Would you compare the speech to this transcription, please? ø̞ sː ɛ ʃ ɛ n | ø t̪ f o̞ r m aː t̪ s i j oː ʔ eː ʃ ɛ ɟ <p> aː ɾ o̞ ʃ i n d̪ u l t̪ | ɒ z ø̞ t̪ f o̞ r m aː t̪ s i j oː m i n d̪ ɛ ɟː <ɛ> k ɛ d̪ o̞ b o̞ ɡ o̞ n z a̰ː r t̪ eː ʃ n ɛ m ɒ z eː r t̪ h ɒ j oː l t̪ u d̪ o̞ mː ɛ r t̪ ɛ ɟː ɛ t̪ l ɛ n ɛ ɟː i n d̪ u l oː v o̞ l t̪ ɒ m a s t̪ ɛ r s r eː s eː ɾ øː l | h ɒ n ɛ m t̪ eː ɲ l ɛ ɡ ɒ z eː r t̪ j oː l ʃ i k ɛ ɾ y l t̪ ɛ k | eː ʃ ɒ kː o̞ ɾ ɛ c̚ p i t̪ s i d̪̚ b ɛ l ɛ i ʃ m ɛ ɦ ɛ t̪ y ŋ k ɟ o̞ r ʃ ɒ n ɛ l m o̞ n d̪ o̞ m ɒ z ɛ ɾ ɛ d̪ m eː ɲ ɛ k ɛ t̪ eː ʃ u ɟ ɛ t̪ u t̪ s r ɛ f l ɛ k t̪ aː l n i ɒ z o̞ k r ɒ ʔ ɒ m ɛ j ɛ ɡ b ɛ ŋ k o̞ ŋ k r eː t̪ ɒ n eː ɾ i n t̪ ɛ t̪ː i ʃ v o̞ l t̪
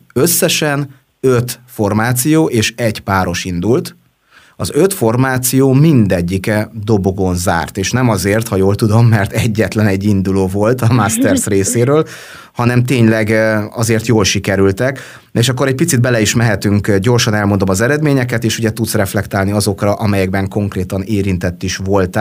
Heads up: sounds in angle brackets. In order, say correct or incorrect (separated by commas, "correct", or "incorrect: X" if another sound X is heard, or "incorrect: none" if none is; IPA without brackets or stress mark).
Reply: correct, incorrect: i